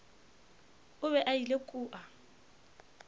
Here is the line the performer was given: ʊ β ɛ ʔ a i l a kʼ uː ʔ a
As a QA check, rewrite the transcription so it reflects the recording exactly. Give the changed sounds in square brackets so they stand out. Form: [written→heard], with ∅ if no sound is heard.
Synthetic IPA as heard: ʊ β ɛ ʔ a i l [a→e] kʼ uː ʔ a